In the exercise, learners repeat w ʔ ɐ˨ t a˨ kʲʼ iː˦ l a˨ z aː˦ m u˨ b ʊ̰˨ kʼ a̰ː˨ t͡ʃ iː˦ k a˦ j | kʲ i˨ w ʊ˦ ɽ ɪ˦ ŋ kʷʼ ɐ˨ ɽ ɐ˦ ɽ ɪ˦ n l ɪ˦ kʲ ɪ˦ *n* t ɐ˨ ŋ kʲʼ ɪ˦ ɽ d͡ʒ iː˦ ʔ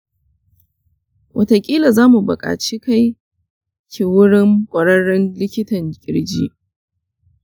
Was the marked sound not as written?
yes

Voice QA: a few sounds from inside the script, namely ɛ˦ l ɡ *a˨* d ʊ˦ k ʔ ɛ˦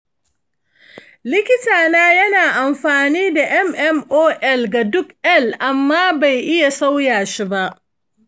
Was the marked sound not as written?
no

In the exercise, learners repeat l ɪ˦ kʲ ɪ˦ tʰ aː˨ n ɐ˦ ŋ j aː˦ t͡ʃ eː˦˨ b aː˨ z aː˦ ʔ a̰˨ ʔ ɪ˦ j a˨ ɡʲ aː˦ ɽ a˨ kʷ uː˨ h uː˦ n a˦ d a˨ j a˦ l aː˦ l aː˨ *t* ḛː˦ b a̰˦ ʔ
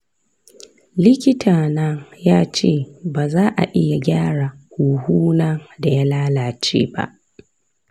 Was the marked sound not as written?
yes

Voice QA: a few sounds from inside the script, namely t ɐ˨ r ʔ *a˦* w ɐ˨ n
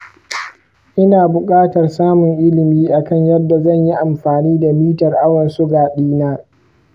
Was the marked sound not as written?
no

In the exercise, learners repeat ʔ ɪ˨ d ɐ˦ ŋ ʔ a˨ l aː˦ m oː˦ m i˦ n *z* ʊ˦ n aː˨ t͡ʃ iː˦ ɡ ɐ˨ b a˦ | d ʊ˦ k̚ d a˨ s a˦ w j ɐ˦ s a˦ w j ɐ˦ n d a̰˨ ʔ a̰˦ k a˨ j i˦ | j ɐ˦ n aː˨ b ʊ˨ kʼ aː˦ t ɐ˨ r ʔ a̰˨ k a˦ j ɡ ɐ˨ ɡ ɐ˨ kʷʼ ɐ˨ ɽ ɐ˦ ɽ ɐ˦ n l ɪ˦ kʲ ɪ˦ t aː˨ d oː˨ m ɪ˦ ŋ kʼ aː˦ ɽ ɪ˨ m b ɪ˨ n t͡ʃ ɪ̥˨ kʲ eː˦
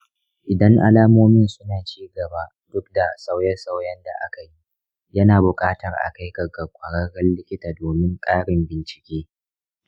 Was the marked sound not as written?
yes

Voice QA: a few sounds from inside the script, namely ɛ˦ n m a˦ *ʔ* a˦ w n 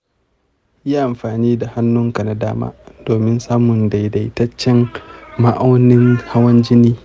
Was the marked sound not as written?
no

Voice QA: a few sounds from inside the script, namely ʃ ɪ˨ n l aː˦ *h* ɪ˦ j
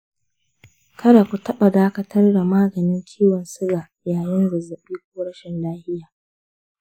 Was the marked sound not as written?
no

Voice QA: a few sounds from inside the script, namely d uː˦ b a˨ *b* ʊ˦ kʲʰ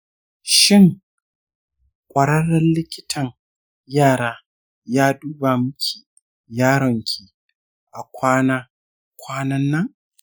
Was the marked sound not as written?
yes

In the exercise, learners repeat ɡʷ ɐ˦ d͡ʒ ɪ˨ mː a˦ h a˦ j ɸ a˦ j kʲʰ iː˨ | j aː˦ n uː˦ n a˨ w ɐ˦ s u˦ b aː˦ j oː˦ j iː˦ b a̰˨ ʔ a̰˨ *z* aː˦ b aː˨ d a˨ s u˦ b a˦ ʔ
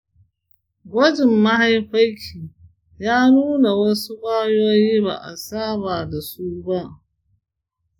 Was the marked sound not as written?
yes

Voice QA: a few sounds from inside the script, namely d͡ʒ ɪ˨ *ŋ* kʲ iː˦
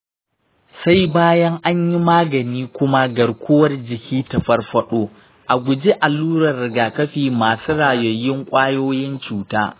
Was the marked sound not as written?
yes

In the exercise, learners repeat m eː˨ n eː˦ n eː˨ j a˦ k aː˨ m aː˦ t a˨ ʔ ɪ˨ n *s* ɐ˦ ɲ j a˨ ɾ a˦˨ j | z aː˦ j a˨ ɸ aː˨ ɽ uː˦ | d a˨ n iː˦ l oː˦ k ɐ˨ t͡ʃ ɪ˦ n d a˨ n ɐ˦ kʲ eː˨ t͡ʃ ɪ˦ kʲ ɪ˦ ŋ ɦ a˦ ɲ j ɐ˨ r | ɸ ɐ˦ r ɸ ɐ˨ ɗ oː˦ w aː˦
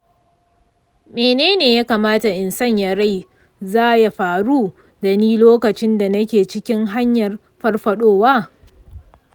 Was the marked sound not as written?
no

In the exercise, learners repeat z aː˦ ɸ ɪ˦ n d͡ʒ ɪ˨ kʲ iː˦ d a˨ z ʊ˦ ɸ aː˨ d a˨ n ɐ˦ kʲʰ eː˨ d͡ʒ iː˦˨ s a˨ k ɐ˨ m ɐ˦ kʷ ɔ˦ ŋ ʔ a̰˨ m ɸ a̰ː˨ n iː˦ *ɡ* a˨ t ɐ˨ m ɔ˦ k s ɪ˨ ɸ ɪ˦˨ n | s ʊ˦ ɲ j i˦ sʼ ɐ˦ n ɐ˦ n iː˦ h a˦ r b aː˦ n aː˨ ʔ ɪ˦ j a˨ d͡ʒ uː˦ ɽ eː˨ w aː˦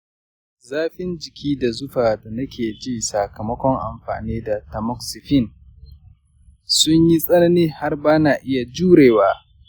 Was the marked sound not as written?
yes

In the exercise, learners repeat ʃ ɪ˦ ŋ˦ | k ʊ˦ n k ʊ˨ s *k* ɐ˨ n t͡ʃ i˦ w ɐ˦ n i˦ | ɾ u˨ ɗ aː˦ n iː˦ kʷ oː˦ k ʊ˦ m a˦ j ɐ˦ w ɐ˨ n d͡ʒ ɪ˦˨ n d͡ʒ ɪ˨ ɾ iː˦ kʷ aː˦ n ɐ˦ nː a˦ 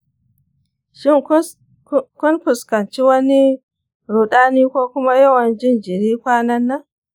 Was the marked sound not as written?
no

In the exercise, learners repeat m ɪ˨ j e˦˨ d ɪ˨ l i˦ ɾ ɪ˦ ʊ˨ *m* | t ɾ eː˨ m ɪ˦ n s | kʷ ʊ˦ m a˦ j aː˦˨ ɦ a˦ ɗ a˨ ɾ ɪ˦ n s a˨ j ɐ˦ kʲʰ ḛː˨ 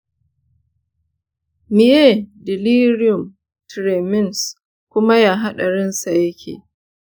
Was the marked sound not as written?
no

